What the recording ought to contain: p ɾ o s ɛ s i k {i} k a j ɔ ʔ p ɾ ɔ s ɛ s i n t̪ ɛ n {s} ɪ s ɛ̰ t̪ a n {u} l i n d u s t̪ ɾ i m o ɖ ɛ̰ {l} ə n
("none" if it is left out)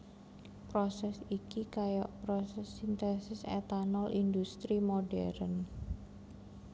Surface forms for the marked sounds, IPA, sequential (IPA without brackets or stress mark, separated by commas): i, s, ɔ, ɾ